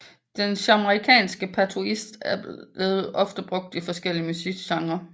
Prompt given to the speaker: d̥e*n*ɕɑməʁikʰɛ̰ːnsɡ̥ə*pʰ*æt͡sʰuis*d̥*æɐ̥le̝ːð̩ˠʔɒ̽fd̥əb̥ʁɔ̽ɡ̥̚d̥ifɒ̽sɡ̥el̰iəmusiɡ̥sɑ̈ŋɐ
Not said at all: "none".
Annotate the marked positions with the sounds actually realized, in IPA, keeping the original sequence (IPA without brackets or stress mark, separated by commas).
n, pʰ, d̥